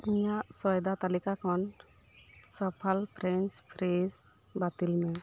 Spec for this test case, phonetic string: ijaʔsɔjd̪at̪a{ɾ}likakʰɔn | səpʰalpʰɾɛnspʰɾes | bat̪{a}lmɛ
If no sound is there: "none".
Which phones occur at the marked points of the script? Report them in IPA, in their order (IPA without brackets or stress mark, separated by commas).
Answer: none, i